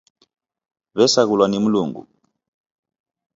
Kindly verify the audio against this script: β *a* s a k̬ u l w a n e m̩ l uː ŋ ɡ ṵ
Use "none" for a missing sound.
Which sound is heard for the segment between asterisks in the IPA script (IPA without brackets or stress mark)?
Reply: ɛ